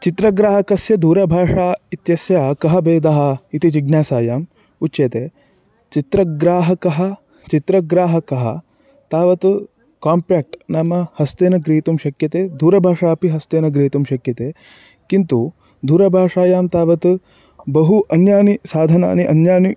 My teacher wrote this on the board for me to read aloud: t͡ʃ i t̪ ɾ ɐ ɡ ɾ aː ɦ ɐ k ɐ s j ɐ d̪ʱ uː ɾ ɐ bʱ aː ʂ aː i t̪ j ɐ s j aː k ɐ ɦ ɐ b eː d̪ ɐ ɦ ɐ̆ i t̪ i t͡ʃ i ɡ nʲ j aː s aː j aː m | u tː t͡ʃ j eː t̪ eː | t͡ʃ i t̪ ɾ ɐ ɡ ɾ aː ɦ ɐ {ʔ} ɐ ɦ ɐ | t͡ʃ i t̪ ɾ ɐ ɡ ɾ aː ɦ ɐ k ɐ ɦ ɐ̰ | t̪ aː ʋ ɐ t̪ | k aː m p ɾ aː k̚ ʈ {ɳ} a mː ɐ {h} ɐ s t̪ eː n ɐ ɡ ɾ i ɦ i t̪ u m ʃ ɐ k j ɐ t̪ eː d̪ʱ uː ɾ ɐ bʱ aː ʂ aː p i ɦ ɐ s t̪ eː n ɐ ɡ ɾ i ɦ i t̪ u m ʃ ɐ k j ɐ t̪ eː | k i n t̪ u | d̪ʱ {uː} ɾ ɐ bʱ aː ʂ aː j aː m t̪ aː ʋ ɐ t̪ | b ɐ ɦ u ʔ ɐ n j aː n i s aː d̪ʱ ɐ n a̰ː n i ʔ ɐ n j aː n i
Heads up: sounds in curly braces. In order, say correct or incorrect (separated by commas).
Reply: incorrect, incorrect, correct, correct